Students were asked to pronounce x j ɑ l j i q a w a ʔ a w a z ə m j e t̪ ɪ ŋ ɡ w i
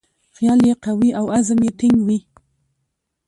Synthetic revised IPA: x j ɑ l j e q a w i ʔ a w a z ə m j e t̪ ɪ ŋ ɡ w i